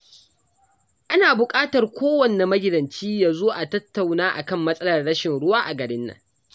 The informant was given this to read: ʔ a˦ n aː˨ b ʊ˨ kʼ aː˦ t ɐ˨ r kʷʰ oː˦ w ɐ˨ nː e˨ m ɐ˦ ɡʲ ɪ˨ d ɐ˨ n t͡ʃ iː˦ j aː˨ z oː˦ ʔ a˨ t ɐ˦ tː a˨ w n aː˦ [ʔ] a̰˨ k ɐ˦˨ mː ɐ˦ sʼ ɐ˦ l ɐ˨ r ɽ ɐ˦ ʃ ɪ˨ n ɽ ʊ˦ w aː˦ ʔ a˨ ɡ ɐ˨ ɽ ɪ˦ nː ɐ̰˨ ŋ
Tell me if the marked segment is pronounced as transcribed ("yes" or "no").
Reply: yes